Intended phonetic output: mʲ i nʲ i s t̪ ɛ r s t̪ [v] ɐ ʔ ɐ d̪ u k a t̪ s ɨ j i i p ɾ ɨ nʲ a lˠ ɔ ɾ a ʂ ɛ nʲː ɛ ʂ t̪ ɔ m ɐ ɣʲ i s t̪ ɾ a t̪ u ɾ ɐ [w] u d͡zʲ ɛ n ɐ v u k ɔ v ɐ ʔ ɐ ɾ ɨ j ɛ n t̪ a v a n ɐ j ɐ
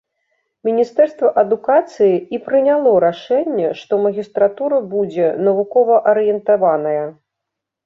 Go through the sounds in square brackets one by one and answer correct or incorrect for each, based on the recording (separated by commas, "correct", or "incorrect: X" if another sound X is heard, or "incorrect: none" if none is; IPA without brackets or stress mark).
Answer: correct, incorrect: b